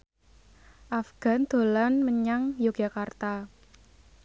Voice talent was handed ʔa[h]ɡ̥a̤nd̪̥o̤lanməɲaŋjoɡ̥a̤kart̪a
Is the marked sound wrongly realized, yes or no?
yes